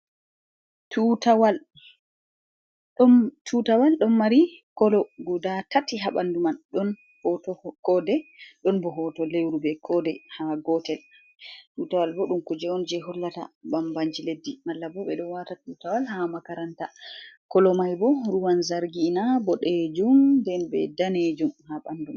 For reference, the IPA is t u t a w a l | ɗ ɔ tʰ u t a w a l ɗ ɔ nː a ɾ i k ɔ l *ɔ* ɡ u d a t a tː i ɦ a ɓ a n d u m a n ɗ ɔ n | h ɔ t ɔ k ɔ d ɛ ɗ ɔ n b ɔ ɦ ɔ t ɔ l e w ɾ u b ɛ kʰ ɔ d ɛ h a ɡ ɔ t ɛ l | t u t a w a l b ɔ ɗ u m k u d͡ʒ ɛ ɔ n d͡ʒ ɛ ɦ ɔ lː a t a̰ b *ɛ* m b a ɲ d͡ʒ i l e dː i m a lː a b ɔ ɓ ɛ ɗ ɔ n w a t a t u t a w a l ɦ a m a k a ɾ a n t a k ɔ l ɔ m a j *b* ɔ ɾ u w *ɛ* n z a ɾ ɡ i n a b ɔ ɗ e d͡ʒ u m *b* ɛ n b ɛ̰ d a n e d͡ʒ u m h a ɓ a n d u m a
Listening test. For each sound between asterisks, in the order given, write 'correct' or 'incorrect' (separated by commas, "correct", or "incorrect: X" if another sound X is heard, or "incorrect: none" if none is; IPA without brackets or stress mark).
correct, incorrect: a, correct, incorrect: a, incorrect: d